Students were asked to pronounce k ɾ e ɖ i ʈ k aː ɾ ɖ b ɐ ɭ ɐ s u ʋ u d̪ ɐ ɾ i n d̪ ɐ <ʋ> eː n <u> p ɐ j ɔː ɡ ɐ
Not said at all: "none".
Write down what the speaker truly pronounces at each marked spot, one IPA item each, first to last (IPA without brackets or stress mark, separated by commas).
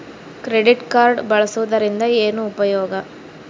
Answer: none, uː